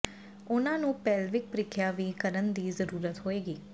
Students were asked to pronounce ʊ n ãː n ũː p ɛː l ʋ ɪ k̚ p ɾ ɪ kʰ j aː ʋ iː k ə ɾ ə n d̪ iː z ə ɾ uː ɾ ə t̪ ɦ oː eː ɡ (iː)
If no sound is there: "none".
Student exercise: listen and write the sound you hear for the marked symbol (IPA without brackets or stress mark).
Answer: iː